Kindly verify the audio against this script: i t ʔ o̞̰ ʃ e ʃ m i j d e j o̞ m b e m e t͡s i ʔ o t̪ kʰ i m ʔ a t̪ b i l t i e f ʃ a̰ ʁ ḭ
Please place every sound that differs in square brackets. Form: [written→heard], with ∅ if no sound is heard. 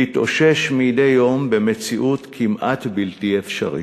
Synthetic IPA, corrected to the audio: i t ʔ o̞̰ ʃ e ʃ m i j d e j o̞ m b e m e t͡s i ʔ [o→u] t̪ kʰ i m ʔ a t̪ b i l t i e f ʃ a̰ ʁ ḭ